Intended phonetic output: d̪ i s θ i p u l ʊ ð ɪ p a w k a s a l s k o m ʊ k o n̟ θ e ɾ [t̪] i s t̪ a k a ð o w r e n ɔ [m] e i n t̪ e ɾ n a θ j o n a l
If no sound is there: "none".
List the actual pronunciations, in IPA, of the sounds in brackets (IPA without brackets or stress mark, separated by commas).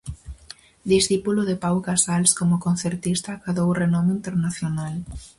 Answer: t̪, m